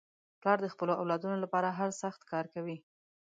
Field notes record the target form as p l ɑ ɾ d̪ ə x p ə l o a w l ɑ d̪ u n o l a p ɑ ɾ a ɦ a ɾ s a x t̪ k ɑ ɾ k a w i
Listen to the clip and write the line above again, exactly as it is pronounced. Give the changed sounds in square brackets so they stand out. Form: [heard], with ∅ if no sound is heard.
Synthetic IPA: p l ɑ ɾ d̪ ə x p ə l o a w l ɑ d̪ u n o l a p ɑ ɾ a ɦ a ɾ s a x t̪ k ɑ ɾ k a w i